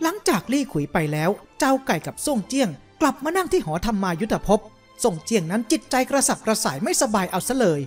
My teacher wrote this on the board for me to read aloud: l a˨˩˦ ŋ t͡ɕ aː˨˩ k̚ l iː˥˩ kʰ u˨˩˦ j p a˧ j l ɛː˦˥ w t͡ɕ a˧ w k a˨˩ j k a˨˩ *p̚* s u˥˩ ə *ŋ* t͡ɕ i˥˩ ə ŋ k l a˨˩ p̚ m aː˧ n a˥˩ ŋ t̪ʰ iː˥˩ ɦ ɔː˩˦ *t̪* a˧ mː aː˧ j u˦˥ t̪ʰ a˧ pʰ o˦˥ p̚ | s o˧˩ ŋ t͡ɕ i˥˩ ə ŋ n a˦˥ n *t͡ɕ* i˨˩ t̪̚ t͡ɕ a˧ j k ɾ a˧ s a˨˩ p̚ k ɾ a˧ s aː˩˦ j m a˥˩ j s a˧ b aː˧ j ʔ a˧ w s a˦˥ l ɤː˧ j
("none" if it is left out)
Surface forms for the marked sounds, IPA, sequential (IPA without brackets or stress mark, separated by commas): p̚, ŋ, t̪ʰ, t͡ɕ